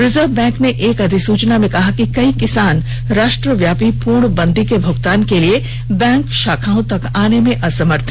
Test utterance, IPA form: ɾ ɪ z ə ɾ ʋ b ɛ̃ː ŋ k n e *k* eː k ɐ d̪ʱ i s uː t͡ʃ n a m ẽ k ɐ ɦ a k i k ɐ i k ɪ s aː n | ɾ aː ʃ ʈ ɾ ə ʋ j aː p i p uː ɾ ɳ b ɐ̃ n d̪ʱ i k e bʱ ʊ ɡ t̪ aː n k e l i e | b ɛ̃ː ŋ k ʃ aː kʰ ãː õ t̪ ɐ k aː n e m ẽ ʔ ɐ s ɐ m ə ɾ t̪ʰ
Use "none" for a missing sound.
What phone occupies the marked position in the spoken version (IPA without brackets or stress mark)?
ʔ